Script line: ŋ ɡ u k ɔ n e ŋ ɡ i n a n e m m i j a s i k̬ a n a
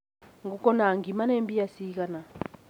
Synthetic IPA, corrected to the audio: ŋ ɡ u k ɔ n a ŋ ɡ i m a n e m b i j a s i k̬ a n a